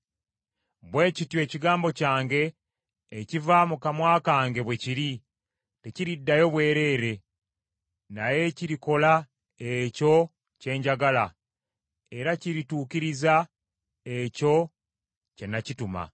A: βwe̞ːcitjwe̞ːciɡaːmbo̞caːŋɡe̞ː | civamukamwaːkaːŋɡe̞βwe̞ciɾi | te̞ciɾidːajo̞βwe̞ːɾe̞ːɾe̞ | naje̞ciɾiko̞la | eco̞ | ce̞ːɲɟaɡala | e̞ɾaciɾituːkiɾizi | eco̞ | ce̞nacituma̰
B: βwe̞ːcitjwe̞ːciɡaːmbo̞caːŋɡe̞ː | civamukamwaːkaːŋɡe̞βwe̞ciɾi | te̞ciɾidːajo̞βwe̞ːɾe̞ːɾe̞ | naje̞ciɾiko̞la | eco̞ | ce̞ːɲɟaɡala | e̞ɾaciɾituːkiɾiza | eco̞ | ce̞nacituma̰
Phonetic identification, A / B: B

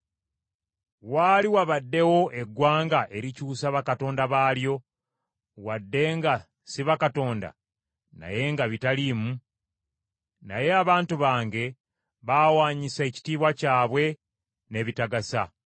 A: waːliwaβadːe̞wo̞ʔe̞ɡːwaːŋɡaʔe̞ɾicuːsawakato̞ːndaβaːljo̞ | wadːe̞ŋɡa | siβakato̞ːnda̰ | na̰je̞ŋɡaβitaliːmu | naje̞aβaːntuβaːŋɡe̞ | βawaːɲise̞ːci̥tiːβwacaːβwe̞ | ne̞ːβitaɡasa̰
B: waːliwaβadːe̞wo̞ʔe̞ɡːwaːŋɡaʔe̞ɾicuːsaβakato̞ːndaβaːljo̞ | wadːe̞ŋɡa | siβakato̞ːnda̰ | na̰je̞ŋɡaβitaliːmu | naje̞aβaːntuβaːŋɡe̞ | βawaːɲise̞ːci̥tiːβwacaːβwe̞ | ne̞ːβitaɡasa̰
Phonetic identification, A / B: B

